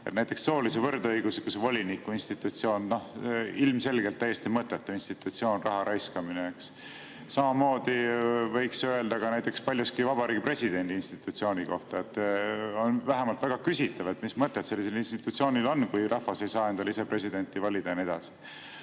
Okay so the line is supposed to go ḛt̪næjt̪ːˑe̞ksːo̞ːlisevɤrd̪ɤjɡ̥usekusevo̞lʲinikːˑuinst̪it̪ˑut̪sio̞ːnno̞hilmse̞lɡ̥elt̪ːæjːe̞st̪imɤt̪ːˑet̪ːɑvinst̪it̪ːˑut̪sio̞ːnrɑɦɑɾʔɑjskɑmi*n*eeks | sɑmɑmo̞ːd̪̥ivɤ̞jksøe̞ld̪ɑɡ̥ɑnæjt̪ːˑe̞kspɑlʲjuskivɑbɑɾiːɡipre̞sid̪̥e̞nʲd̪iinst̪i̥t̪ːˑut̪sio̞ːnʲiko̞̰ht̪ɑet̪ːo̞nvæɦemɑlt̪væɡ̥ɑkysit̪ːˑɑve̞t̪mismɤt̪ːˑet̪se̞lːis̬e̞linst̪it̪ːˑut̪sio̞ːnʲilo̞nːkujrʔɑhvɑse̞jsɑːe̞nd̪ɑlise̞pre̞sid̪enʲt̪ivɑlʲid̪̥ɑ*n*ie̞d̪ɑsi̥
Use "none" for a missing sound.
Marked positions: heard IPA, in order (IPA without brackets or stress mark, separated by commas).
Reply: n, n